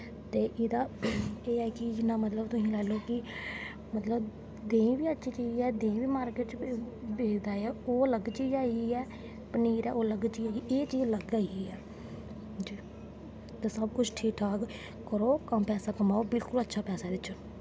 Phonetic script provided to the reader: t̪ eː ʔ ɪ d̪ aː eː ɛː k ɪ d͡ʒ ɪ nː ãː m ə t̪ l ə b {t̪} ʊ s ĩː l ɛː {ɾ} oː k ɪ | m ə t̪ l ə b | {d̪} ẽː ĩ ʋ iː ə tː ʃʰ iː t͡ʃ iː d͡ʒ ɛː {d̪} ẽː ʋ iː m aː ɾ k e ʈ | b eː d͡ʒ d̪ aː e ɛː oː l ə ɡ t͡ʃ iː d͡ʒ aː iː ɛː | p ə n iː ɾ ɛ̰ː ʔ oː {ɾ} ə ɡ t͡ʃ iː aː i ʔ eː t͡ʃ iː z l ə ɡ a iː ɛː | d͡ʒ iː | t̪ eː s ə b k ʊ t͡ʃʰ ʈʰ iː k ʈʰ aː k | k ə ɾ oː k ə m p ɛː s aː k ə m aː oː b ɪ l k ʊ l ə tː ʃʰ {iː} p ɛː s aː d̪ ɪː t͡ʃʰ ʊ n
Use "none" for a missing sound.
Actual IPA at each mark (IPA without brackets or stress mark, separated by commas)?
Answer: t̪, l, d̪, d̪, l, aː